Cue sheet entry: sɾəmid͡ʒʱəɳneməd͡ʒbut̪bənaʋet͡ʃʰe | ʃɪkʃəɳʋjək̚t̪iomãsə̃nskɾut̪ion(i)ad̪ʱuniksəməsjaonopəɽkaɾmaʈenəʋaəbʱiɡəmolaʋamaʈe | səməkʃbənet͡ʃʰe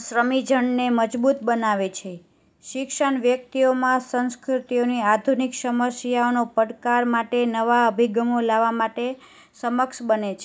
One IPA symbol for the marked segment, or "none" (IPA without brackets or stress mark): i